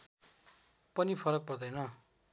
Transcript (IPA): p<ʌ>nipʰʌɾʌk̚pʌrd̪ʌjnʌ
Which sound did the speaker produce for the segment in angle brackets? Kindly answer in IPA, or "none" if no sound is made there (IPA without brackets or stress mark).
ʌ